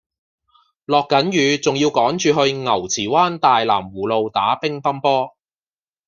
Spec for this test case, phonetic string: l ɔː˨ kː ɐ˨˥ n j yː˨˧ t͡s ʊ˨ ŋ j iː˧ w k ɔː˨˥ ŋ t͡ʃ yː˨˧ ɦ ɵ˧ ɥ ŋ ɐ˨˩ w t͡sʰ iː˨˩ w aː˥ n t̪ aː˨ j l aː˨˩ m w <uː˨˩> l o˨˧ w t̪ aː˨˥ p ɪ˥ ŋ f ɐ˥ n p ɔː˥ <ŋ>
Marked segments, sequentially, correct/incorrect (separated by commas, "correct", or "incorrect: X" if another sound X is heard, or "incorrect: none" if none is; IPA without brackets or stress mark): correct, incorrect: none